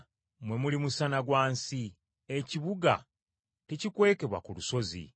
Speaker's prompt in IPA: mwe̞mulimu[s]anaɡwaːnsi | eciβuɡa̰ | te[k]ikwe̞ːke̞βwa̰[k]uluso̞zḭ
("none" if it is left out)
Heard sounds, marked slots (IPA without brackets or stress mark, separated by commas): s, c, k